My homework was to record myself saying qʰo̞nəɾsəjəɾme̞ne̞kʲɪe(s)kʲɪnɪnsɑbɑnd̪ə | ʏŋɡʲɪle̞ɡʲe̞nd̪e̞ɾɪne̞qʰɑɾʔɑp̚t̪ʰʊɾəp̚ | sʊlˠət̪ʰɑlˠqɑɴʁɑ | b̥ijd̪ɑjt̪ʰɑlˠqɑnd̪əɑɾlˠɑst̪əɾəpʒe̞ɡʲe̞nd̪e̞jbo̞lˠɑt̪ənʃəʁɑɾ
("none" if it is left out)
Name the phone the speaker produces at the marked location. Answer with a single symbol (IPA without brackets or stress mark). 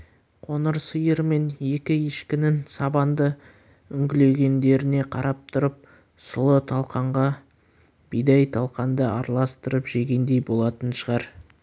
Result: ʃ